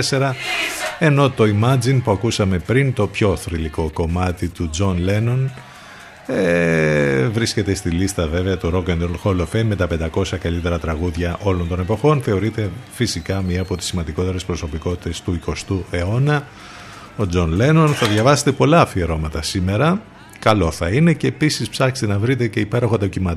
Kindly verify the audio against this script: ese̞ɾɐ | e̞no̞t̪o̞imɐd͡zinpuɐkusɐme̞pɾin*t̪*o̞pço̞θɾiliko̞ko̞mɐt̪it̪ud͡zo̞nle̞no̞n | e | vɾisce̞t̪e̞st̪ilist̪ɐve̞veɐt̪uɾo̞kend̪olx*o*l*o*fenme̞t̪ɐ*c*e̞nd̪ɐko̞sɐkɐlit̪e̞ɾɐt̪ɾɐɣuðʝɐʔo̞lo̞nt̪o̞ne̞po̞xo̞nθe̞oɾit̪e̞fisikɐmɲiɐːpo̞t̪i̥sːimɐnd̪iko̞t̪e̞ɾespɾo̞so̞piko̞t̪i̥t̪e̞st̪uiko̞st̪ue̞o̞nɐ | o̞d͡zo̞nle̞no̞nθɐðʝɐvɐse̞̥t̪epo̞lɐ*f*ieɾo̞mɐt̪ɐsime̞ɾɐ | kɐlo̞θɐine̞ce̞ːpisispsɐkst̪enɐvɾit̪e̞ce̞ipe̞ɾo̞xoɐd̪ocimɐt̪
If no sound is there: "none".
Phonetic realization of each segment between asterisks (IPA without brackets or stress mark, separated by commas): t̪, o, o, p, f